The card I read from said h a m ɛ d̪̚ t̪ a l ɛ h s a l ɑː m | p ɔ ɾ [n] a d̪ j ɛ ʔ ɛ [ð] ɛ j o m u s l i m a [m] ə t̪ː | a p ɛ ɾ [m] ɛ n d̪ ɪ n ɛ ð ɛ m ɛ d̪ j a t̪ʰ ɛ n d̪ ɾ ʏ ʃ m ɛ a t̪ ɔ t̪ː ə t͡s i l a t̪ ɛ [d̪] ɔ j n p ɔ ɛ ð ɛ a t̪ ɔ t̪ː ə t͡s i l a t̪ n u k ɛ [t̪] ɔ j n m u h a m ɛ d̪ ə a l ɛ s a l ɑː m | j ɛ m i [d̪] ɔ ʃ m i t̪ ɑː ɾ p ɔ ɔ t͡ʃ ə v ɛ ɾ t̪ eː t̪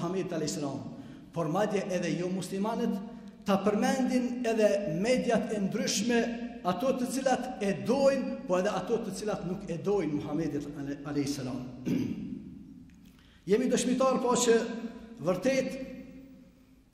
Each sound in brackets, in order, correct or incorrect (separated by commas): incorrect, correct, incorrect, correct, correct, incorrect, correct